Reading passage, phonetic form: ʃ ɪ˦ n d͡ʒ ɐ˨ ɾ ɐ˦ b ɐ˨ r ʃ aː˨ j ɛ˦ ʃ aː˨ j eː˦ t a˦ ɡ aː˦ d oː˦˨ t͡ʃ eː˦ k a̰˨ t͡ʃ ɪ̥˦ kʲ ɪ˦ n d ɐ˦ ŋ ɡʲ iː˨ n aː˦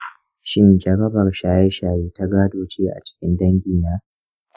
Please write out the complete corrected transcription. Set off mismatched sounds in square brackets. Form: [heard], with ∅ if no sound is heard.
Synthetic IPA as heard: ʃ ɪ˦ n d͡ʒ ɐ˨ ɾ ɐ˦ b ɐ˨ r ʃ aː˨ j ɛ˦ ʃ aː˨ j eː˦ t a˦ ɡ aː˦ d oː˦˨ t͡ʃ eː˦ [ʔ] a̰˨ t͡ʃ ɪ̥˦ kʲ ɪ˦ n d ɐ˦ ŋ ɡʲ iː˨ n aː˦